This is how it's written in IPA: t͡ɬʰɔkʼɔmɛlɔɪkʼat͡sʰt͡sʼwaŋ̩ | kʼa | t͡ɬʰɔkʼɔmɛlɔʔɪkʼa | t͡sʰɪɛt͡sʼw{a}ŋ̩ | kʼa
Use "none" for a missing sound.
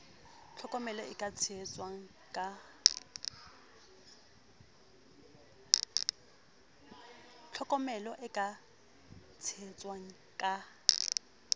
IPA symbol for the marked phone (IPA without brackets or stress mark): a